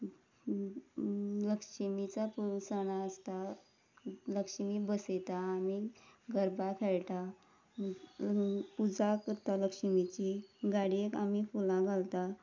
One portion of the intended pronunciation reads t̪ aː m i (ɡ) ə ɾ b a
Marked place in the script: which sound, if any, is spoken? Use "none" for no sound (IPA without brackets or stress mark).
ɡ